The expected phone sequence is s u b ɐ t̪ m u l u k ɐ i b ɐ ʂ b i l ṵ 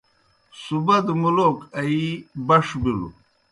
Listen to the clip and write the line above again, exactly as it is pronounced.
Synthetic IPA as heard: s u b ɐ d̪ m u l o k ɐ i b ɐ ʂ b i l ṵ